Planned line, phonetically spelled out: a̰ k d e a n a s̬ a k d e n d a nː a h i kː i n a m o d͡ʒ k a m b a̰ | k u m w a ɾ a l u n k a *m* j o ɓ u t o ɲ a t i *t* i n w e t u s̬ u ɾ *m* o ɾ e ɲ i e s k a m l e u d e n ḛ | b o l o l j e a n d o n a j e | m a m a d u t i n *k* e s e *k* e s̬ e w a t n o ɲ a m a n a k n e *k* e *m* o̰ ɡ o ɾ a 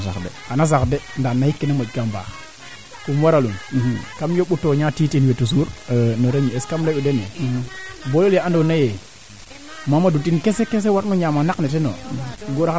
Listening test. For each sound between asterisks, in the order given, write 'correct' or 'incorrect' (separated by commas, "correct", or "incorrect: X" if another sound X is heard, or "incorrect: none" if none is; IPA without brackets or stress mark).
correct, correct, incorrect: n, correct, correct, incorrect: t, incorrect: n